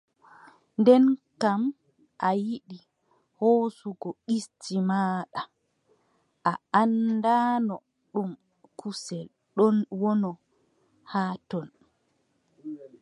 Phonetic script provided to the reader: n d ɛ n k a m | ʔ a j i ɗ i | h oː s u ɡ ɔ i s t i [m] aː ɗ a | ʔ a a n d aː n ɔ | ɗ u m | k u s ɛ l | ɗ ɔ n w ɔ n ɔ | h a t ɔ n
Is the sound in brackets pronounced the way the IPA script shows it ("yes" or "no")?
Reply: yes